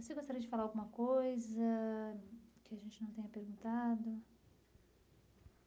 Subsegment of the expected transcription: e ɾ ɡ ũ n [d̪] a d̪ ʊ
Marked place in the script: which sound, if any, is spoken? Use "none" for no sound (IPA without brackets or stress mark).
t̪